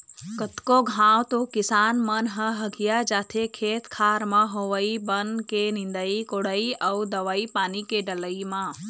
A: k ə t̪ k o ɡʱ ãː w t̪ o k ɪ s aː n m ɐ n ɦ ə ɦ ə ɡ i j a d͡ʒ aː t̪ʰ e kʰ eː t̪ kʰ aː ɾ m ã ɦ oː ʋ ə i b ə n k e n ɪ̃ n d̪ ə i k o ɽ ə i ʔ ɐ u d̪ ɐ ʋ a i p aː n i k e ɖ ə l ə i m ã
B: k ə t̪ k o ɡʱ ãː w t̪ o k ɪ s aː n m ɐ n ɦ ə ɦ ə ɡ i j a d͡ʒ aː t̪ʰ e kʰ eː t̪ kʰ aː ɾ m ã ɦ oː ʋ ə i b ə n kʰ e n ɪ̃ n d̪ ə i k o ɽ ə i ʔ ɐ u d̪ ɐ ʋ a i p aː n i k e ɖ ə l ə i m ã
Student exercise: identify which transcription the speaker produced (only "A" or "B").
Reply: A